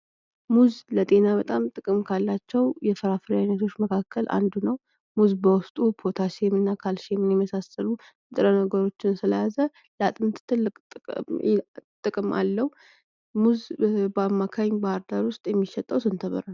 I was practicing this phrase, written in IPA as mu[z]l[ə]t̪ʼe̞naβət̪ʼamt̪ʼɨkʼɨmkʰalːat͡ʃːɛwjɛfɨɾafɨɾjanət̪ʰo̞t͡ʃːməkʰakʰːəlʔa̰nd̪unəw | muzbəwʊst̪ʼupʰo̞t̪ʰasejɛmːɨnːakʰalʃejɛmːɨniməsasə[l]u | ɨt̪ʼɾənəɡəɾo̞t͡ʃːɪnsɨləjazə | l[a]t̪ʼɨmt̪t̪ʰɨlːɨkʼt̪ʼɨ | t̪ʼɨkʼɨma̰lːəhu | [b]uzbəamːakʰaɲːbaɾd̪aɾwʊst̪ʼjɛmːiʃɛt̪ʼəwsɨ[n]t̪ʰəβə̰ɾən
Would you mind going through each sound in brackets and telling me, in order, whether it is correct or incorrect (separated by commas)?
correct, correct, correct, correct, incorrect, correct